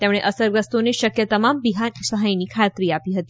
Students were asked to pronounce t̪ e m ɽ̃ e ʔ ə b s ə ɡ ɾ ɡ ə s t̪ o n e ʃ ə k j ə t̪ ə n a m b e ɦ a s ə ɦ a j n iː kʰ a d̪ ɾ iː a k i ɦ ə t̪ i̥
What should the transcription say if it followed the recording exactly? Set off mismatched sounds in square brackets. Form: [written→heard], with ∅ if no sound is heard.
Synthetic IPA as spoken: t̪ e m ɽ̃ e ʔ ə [b→∅] s ə [ɡ→∅] ɾ ɡ ə s t̪ o n e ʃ ə k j ə t̪ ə [n→m] a m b [e→i] ɦ a s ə ɦ a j n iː kʰ a [d̪→t̪] ɾ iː a [k→p] i ɦ ə t̪ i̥